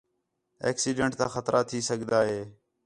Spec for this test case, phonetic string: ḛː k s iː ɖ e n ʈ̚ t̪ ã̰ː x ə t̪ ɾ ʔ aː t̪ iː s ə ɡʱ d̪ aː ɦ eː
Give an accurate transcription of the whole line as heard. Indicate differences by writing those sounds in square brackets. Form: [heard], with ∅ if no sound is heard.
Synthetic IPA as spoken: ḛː k s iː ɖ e [ɳ] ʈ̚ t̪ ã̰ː x ə t̪ ɾ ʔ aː [t̪ʰ] iː s ə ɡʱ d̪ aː ɦ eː